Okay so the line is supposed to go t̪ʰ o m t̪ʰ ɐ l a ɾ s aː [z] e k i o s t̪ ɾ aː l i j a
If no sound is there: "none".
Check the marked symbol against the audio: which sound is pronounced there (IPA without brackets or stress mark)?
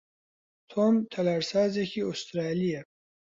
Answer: z